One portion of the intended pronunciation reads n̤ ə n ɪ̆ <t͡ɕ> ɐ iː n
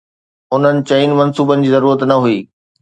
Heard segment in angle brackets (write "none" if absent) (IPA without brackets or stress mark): t͡ɕ